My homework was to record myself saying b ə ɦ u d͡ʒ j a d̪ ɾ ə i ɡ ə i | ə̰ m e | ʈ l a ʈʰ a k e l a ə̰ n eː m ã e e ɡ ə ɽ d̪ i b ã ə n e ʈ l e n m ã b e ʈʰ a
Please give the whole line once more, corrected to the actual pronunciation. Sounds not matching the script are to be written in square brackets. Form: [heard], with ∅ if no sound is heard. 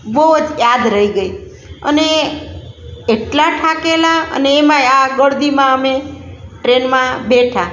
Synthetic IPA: b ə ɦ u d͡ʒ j a d̪ ɾ ə i ɡ ə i | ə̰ [n] e | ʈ l a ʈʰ a k e l a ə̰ n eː m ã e [a] ɡ ə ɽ d̪ i [m] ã ə [m] e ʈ [ɾ] e n m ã b e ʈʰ a